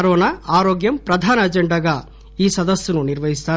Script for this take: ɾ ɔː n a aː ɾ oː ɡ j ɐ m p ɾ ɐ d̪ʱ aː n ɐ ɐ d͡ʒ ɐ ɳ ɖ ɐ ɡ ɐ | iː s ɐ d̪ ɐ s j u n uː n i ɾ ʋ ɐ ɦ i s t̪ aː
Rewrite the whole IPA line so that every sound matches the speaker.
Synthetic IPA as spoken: ɾ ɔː n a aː ɾ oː ɡ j ɐ m p ɾ ɐ d̪ʱ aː n ɐ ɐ d͡ʒ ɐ ɳ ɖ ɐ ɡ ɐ | iː s ɐ d̪ ɐ s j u n u n i ɾ ʋ ɐ ɦ i s t̪ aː